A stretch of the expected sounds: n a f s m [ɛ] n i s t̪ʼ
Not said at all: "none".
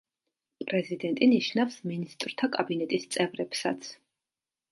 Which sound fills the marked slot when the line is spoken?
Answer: i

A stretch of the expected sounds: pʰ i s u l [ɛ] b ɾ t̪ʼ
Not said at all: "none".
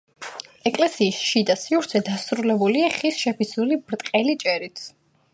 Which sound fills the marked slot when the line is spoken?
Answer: i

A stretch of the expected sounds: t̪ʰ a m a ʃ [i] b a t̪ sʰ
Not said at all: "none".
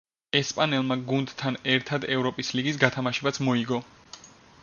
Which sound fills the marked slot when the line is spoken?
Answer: ɛ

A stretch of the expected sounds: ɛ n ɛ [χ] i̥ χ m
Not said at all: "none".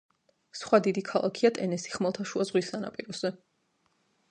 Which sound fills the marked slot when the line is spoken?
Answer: s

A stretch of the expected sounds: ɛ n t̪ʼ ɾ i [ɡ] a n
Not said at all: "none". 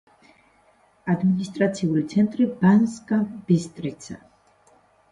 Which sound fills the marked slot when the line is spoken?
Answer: b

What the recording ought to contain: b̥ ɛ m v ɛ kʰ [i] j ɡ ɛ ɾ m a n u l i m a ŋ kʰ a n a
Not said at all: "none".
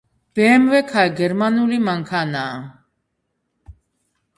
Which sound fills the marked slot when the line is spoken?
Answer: a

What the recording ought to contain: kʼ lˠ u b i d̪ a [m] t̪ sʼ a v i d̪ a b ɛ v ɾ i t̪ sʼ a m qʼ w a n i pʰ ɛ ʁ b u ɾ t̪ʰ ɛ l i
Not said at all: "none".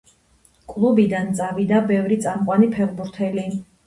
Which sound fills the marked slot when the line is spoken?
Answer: n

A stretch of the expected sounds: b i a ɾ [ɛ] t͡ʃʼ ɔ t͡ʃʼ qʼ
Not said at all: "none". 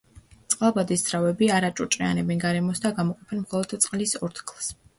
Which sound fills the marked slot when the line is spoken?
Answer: a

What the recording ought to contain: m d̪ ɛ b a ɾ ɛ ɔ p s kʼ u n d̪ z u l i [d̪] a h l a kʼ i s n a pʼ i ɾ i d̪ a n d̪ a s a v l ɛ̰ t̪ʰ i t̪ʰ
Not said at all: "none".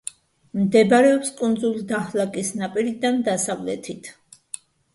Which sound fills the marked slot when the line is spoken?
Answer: d̪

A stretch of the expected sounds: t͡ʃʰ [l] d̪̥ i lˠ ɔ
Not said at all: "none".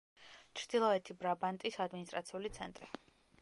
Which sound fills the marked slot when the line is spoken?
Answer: ɾ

